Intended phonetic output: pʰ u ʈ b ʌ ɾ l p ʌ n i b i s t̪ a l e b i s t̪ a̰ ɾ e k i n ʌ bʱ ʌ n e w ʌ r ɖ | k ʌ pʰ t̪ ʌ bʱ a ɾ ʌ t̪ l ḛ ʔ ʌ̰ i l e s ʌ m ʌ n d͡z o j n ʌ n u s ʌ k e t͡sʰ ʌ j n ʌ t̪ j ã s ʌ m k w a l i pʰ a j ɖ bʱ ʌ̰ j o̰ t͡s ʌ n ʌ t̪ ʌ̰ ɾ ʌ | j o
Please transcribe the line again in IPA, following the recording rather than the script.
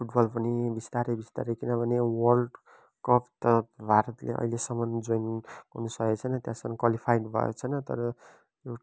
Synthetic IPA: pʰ u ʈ b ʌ l p ʌ n i b i s t̪ a ɾ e b i s t̪ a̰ ɾ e k i n ʌ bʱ ʌ n e w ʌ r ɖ | k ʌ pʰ t̪ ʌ bʱ a ɾ ʌ t̪ l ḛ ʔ ʌ̰ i l e s ʌ m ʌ n d͡z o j n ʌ n u s ʌ k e t͡sʰ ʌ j n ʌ t̪ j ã s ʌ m k w a l i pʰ a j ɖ bʱ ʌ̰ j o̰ t͡sʰ ʌ n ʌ t̪ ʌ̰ ɾ ʌ | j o